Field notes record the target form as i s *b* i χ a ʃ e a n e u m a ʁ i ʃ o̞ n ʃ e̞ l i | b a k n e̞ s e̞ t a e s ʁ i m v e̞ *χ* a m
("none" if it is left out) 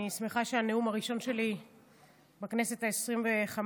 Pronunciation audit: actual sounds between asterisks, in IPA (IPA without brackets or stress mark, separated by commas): m, χ